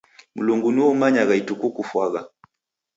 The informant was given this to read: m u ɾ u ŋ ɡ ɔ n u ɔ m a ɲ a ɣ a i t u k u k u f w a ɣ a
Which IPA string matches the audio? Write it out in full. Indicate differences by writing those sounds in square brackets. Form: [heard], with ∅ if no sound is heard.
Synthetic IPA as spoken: m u [l] u ŋ ɡ [u] n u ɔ m a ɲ a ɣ a i t u k u k u f w a ɣ a